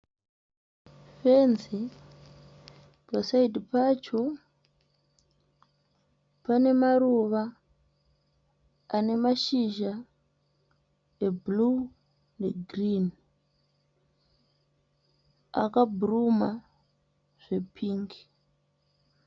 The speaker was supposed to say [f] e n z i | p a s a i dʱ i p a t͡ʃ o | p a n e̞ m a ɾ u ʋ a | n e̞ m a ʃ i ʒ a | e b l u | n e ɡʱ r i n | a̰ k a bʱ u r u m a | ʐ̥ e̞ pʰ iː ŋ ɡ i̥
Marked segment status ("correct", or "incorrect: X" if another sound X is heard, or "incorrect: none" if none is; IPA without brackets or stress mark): correct